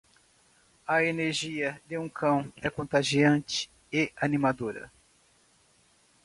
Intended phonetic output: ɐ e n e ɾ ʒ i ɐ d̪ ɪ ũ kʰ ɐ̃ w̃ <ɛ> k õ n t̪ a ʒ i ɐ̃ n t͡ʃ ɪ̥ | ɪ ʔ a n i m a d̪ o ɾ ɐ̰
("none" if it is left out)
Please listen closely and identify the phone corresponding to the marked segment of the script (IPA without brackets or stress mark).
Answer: ɛ